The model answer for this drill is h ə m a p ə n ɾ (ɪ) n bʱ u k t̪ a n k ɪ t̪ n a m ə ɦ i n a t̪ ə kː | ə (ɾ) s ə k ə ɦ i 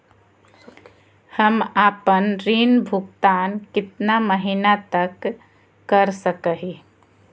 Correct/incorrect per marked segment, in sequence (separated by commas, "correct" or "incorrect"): incorrect, correct